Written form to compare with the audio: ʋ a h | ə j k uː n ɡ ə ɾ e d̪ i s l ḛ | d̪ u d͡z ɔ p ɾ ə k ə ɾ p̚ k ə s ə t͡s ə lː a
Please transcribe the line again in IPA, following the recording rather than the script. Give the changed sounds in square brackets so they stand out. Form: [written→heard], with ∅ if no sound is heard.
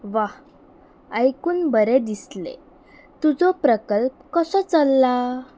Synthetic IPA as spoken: ʋ a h | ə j k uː n [ɡ→b] ə ɾ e d̪ i s l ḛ | [d̪→t̪] u d͡z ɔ p ɾ ə k ə [ɾ→l] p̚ k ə s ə t͡s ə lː a